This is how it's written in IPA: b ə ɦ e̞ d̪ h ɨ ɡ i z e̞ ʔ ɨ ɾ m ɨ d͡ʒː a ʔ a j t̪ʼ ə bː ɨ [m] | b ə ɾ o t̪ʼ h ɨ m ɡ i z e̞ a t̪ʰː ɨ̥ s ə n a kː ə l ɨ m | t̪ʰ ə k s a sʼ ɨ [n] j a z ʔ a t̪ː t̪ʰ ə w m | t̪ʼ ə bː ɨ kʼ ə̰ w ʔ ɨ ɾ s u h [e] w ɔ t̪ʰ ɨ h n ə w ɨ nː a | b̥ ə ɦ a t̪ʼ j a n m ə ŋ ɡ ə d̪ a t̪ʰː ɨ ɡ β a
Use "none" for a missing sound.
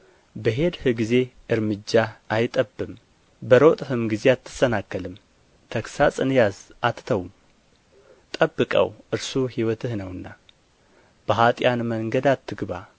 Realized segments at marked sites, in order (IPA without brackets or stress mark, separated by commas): m, n, i